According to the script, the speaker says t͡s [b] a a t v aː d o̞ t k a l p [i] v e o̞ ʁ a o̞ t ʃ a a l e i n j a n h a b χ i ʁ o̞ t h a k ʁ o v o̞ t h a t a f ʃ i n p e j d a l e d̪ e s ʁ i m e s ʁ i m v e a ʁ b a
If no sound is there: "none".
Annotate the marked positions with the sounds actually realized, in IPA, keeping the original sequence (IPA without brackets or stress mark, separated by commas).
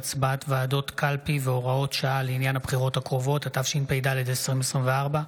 b, i